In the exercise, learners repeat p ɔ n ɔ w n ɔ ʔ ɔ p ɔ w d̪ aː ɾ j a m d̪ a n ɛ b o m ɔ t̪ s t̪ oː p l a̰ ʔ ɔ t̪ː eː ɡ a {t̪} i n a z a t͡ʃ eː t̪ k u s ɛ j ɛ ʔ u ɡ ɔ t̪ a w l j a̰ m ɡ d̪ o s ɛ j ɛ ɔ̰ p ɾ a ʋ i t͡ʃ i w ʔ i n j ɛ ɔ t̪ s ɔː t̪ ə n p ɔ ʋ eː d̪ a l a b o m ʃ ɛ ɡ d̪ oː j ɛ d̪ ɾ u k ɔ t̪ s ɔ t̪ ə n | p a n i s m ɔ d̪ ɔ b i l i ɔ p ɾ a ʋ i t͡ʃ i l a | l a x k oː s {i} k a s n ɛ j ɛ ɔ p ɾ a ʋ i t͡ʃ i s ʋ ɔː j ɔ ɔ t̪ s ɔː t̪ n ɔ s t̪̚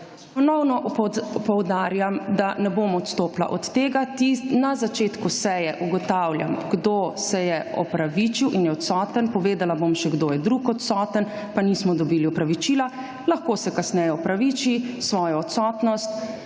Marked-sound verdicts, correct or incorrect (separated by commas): correct, incorrect